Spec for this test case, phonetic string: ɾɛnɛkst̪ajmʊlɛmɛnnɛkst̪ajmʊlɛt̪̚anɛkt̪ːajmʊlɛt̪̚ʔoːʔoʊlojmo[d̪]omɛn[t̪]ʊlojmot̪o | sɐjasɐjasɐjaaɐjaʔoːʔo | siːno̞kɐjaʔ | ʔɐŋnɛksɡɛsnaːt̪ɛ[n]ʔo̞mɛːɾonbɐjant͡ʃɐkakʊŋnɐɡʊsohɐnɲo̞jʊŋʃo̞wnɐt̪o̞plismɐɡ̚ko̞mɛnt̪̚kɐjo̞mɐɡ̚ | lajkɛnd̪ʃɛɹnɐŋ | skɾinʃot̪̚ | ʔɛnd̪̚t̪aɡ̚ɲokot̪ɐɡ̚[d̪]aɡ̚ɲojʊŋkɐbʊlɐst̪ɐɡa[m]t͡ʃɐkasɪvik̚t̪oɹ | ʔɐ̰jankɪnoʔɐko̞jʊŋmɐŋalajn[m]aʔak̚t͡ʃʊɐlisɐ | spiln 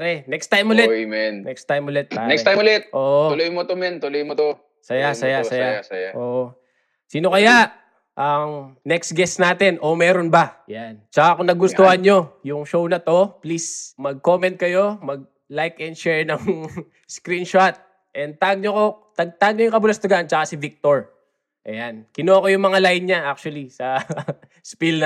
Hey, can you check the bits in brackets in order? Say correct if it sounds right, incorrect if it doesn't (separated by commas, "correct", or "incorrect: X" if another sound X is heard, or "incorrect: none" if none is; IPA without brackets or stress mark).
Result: incorrect: t̪, correct, correct, incorrect: t̪, incorrect: n, incorrect: ɲ